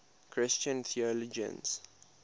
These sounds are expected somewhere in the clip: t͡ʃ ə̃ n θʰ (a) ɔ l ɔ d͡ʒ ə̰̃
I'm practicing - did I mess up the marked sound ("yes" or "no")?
yes